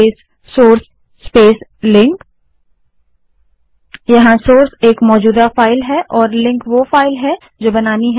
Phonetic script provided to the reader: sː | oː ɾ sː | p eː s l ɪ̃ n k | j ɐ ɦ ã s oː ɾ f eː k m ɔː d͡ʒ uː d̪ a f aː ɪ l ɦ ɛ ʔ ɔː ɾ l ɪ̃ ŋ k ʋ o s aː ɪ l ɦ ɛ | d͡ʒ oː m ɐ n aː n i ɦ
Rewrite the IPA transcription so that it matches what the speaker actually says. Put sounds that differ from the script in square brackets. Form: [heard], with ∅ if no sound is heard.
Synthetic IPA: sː | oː ɾ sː | p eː s l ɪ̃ [ŋ] k | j ɐ ɦ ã s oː ɾ [s] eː k m ɔː d͡ʒ uː d̪ a f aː ɪ l ɦ ɛ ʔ ɔː ɾ l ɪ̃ ŋ k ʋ o [f] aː ɪ l ɦ ɛ | d͡ʒ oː [b] ɐ n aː n i ɦ